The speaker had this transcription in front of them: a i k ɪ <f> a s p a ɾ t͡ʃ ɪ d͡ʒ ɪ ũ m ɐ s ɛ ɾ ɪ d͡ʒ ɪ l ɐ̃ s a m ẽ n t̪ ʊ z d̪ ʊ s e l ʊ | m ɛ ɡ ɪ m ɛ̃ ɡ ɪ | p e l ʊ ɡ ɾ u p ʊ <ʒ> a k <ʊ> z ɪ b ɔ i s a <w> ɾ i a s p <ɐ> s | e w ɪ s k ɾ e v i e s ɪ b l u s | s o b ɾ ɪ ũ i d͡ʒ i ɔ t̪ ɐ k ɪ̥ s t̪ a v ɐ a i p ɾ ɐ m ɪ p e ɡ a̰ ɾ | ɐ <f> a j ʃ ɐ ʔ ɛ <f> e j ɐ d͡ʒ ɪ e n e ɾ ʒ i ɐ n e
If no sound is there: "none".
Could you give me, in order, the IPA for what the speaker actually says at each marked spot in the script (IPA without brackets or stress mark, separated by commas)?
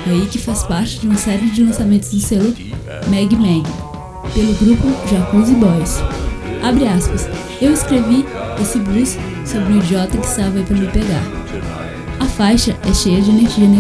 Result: f, ʒ, u, b, ɐ, f, ʃ